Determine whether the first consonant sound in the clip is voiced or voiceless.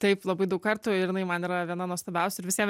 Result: voiceless